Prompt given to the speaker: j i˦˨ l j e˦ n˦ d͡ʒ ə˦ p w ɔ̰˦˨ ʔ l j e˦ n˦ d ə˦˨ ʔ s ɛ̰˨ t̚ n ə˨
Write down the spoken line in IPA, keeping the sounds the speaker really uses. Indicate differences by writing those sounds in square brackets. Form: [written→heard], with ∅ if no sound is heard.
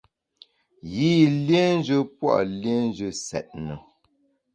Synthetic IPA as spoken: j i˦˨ l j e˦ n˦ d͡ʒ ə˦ p w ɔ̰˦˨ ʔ l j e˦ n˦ [d→d͡ʒ] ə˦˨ [ʔ→∅] s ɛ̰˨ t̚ n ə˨